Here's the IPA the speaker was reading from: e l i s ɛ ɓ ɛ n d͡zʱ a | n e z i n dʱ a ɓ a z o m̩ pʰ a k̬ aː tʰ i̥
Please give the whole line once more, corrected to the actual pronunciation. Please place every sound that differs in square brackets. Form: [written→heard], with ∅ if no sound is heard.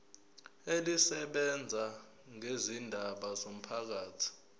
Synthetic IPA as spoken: e l i s ɛ ɓ ɛ n d͡zʱ a | [n→ŋ] e z i n dʱ a ɓ a z o m̩ pʰ a k̬ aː tʰ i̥